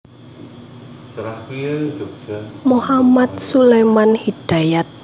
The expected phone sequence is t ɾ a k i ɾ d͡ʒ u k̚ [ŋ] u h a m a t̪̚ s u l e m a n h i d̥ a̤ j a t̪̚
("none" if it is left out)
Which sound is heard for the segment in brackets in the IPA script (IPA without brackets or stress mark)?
m